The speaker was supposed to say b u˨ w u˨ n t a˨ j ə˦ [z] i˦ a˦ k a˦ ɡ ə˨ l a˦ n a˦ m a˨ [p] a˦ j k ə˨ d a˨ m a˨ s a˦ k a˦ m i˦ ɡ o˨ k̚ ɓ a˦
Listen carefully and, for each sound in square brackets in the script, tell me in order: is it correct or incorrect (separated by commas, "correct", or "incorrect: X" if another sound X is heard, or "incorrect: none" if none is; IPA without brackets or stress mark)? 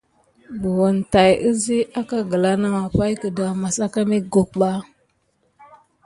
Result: correct, correct